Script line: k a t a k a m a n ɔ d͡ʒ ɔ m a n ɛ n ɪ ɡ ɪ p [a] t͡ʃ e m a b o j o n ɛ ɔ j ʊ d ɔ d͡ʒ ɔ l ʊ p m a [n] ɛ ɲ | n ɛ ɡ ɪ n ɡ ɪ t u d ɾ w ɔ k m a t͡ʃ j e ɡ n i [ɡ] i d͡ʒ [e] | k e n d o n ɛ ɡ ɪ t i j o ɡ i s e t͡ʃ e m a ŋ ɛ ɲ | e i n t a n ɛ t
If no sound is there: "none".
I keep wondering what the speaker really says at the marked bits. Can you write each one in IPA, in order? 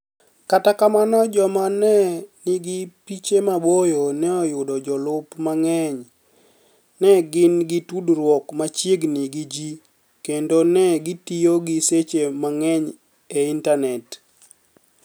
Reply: i, ŋ, ɡ, i

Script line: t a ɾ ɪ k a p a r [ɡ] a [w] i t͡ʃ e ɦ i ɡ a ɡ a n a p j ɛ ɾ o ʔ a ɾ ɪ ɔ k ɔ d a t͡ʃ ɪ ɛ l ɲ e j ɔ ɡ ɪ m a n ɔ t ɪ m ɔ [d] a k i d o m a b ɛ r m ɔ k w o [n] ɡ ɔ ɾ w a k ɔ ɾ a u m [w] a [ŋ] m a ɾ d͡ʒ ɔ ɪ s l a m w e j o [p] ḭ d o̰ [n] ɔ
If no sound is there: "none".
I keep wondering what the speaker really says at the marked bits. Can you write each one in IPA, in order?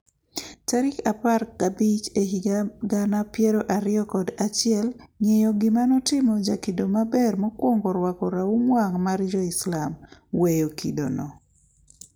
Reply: k, b, d͡ʒ, ŋ, w, ŋ, k, n

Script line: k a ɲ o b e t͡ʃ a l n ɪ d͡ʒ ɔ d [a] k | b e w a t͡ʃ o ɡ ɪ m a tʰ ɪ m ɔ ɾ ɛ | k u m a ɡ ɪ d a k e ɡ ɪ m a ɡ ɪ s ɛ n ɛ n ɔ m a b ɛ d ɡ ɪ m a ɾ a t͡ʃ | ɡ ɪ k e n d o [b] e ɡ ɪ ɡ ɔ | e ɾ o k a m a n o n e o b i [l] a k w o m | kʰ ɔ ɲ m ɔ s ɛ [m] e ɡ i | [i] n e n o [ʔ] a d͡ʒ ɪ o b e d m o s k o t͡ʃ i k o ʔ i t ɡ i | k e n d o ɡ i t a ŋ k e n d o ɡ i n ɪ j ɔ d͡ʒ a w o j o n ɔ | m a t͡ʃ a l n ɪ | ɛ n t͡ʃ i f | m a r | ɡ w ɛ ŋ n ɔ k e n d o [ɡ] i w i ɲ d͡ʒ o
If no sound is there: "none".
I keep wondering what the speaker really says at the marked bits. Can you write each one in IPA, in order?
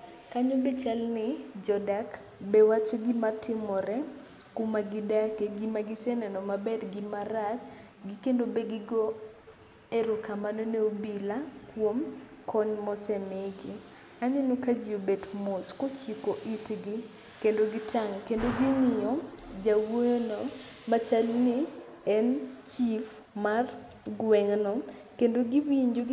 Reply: a, b, l, m, a, k, ɡ

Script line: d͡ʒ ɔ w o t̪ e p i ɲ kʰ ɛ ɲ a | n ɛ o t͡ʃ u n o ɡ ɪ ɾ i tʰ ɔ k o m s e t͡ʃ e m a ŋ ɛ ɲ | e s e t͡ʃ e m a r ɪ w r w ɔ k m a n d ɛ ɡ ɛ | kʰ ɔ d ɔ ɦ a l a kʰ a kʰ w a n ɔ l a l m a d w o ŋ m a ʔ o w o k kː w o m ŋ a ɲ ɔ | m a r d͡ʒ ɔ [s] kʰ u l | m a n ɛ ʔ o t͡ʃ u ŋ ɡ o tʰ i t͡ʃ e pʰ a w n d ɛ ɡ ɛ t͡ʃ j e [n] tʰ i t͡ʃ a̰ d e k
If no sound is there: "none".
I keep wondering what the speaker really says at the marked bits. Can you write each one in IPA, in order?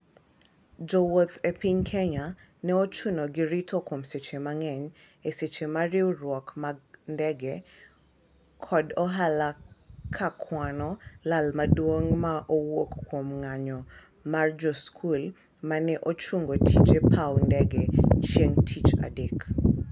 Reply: s, ŋ

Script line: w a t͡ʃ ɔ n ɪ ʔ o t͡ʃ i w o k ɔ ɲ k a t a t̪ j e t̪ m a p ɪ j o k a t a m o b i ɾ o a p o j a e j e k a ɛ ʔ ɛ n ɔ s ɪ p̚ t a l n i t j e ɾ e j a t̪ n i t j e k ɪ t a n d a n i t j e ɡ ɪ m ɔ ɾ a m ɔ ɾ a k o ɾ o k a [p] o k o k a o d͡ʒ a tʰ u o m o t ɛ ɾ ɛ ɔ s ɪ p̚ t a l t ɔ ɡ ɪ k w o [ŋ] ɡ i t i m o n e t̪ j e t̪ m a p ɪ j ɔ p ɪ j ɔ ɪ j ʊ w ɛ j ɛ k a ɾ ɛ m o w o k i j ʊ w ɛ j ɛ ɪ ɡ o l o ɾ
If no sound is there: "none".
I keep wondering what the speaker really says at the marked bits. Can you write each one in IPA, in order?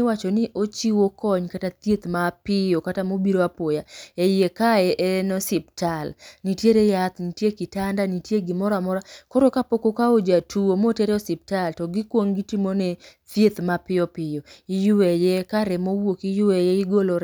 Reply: p, ŋ

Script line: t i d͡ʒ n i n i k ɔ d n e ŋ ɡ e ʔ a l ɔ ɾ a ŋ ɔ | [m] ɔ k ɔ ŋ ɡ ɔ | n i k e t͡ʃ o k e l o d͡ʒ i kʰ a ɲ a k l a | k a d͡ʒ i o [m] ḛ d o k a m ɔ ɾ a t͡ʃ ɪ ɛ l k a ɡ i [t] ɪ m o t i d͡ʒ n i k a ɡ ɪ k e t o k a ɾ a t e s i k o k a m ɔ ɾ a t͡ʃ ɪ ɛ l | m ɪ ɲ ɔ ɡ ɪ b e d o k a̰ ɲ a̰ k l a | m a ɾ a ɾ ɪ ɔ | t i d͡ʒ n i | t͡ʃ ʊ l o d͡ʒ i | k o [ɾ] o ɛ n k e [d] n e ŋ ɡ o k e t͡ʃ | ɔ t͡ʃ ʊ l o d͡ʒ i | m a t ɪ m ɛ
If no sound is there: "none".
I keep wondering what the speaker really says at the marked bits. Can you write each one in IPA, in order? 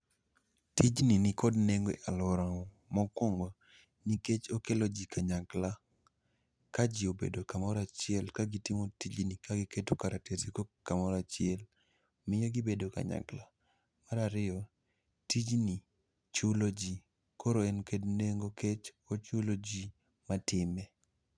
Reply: m, b, t, ɾ, d

